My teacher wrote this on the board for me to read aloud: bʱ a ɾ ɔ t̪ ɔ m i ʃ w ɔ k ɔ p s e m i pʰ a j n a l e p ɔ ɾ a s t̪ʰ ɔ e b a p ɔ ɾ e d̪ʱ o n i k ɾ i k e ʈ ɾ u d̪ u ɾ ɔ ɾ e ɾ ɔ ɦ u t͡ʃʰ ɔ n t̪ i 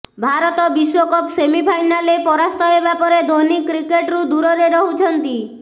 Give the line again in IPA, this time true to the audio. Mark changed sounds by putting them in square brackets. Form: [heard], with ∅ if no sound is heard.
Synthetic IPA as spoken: bʱ a ɾ ɔ t̪ ɔ [b] i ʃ w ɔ k ɔ p s e m i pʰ a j n a l e p ɔ ɾ a s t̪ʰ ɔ e b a p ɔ ɾ e d̪ʱ o n i k ɾ i k e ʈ ɾ u d̪ u ɾ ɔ ɾ e ɾ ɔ ɦ u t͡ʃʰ ɔ n t̪ i